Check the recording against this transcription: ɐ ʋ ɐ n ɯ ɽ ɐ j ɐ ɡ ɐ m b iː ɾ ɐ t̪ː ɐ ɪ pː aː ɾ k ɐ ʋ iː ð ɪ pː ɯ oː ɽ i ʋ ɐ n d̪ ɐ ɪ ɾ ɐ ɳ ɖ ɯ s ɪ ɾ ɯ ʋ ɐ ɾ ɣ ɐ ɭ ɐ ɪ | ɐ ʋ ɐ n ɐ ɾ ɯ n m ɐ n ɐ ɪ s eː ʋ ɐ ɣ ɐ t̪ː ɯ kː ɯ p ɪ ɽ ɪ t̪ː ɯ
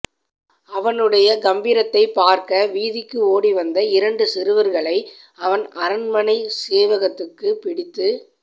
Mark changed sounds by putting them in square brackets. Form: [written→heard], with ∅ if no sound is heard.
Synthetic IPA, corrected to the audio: ɐ ʋ ɐ n ɯ ɽ ɐ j ɐ ɡ ɐ m b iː ɾ ɐ t̪ː ɐ ɪ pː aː ɾ k ɐ ʋ iː ð ɪ [pː→kː] ɯ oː ɽ i ʋ ɐ n d̪ ɐ ɪ ɾ ɐ ɳ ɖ ɯ s ɪ ɾ ɯ ʋ ɐ ɾ ɣ ɐ ɭ ɐ ɪ | ɐ ʋ ɐ n ɐ ɾ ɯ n m ɐ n ɐ ɪ s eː ʋ ɐ ɣ ɐ t̪ː ɯ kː ɯ p ɪ ɽ ɪ t̪ː ɯ